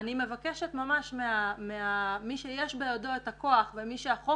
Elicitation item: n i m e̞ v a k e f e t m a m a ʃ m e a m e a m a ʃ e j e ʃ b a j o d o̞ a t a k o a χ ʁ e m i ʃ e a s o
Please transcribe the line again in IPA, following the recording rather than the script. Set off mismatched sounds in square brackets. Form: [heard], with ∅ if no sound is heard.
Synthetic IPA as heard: n i m e̞ v a k e [ʃ] e t m a m a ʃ m e a m e a m [i] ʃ e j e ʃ b [e] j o d o̞ [e] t a k o a χ [v] e m i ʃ e a [χ] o